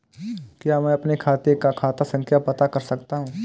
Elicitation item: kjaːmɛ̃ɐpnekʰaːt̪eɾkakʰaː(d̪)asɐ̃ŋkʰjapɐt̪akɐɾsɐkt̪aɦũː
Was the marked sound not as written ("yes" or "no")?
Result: yes